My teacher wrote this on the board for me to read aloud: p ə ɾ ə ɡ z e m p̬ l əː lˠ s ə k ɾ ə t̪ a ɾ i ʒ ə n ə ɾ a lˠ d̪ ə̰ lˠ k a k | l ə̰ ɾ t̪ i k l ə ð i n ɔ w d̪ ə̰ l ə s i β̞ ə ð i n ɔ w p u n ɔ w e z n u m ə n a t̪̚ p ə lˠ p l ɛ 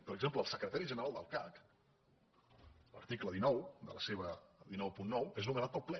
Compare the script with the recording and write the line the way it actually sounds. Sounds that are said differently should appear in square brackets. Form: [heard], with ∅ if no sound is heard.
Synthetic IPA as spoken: p ə ɾ ə ɡ z e m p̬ l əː lˠ s ə k ɾ ə t̪ a ɾ i ʒ ə n ə ɾ a lˠ d̪ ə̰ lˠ k a k | l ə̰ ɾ t̪ i k l ə ð i n ɔ w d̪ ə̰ l ə s [e] β̞ ə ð i n ɔ w p u [nː] ɔ w e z n u m ə n a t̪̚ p ə lˠ p l ɛ